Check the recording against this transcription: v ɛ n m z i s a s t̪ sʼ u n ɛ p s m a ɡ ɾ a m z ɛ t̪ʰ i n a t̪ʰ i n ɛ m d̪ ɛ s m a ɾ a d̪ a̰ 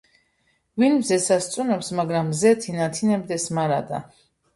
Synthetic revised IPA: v i n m z ɛ s a s t̪ sʼ u n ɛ p s m a ɡ ɾ a m z ɛ t̪ʰ i n a t̪ʰ i n ɛ b d̪ ɛ s m a ɾ a d̪ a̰